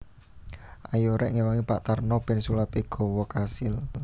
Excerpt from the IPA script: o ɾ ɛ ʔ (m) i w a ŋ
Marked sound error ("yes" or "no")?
yes